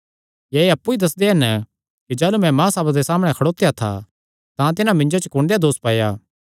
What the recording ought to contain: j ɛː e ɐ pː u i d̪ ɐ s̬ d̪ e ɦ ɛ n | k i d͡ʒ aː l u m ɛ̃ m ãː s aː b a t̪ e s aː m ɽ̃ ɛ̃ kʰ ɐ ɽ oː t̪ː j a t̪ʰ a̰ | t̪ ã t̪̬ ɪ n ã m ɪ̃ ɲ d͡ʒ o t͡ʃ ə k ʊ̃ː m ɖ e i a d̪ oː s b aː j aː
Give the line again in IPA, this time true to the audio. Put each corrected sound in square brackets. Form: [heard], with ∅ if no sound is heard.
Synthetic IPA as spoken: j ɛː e ɐ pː u i d̪ ɐ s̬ d̪ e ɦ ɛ n | k i d͡ʒ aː l u m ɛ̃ m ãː s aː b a [d̪] e s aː m ɽ̃ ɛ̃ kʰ ɐ ɽ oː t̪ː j a t̪ʰ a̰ | t̪ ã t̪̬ ɪ n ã m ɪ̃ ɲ d͡ʒ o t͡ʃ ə k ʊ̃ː [ɳ] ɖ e [j] a d̪ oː s [p] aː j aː